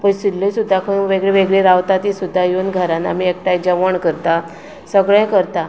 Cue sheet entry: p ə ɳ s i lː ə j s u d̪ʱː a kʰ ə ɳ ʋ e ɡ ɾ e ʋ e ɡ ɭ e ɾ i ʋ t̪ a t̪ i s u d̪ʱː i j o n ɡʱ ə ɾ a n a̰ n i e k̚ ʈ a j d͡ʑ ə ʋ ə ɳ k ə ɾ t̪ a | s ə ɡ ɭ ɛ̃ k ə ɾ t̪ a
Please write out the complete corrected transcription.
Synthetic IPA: p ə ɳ s i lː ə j s u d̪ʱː a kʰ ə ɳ ʋ e ɡ ɭ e ʋ e ɡ ɭ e ɾ a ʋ t̪ a t̪ i s u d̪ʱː a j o n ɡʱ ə ɾ a n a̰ m i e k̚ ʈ a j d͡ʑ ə ʋ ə ɳ k ə ɾ t̪ a | s ə ɡ ɭ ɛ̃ k ə ɾ t̪ a